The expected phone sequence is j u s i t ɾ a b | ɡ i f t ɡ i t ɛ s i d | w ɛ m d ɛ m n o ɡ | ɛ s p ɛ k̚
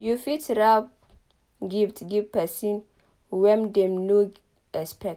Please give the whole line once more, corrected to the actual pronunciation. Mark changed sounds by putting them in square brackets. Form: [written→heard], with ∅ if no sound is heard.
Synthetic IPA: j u [s→f] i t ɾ a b | ɡ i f t ɡ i [t→p] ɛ s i [d→n] | w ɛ m d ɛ m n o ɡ | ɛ s p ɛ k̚